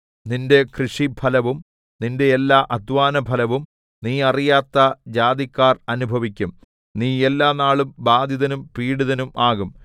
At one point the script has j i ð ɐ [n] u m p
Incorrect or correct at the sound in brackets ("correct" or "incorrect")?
correct